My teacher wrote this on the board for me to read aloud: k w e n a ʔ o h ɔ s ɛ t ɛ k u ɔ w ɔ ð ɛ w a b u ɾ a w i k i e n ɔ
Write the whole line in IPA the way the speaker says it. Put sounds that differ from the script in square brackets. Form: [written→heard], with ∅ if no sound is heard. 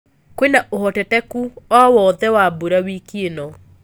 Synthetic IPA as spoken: k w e n a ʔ o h ɔ [s→t] ɛ t ɛ k u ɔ w ɔ ð ɛ w a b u ɾ a w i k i e n ɔ